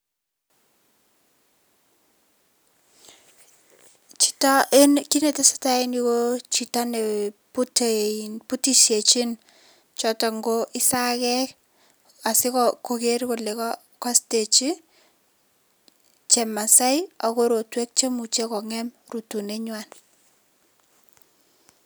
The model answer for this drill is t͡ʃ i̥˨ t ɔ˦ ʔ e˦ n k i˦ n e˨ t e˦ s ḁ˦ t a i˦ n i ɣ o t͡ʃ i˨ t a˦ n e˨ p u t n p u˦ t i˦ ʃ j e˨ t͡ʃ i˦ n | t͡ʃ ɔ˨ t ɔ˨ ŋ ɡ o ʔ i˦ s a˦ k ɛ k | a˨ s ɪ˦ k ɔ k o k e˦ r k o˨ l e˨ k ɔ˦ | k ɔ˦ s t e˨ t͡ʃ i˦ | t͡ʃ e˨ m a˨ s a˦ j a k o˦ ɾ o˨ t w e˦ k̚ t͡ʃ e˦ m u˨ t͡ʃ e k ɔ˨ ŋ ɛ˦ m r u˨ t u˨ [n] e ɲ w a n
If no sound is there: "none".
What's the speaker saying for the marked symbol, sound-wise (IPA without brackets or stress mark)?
n